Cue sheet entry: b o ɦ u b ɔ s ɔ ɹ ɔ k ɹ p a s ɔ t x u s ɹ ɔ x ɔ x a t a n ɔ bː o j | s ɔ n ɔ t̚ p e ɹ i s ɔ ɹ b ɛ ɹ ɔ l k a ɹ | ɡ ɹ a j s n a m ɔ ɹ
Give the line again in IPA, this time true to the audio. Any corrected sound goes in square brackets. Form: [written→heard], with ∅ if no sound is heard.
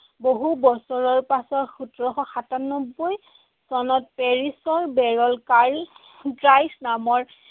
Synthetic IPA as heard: b o ɦ u b ɔ s ɔ ɹ ɔ [k→∅] ɹ p a s ɔ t x u [s→t] ɹ ɔ x ɔ x a t a n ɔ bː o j | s ɔ n ɔ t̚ p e ɹ i s ɔ ɹ b ɛ ɹ ɔ l k a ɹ | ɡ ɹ a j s n a m ɔ ɹ